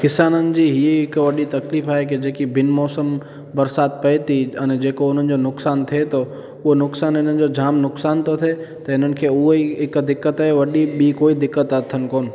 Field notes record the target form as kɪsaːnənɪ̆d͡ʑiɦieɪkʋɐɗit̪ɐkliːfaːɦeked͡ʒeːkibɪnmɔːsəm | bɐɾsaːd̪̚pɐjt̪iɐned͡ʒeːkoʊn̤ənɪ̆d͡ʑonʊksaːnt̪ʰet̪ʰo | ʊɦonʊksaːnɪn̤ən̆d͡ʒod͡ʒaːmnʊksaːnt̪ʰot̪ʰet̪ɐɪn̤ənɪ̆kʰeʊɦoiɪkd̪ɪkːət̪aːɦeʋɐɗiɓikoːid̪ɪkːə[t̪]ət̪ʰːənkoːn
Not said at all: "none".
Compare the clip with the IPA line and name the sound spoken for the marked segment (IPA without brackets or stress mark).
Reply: t̪